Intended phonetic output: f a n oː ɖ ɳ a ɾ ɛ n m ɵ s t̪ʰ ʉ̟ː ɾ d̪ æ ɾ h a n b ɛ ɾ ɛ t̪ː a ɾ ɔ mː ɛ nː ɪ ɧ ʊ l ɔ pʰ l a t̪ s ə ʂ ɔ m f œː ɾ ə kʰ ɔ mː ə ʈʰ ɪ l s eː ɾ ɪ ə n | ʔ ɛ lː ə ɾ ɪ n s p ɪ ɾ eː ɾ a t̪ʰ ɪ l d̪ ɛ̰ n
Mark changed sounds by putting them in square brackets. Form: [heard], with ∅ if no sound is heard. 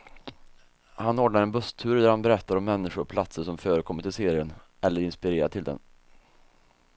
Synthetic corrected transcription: [h] a n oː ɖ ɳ a ɾ ɛ n [b] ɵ s t̪ʰ ʉ̟ː ɾ d̪ æ ɾ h a n b ɛ ɾ ɛ t̪ː a ɾ ɔ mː ɛ nː ɪ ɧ ʊ [ɾ] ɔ pʰ l a t̪ s ə ʂ ɔ m f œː ɾ ə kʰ ɔ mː ə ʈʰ ɪ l s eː ɾ ɪ ə n | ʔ ɛ lː ə ɾ ɪ n s p ɪ ɾ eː ɾ a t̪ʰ ɪ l d̪ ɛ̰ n